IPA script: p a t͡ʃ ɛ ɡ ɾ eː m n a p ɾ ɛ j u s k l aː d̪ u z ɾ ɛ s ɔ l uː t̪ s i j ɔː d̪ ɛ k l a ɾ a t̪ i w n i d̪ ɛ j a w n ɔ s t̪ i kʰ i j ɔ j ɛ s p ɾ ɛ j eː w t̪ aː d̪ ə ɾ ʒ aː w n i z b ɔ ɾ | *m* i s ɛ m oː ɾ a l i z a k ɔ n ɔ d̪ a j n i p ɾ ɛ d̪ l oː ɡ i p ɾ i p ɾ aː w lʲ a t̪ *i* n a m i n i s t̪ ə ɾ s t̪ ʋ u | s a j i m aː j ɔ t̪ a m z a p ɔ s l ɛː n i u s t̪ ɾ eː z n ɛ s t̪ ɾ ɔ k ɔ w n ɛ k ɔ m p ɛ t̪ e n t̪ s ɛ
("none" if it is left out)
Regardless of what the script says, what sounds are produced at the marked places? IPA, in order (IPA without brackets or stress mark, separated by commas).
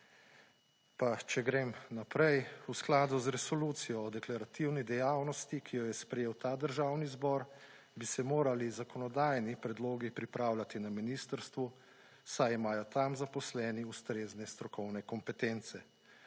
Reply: b, i